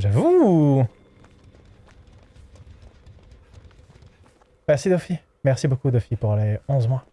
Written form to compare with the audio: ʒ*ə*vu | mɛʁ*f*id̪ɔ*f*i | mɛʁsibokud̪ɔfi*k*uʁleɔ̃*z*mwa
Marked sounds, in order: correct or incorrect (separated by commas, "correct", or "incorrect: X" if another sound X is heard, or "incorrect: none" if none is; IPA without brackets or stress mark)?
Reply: incorrect: a, incorrect: s, correct, incorrect: p, correct